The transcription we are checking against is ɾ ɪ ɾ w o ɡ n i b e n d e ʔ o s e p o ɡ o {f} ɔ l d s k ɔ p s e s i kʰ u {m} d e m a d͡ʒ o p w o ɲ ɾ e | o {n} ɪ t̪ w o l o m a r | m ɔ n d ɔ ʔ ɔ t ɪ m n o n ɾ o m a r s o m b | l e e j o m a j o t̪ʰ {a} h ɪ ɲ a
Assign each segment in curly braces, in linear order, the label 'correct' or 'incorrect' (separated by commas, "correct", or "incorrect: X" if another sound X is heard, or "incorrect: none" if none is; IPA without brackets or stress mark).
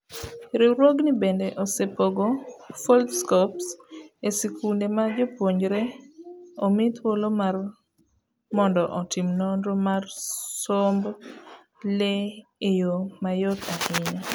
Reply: correct, incorrect: n, incorrect: m, correct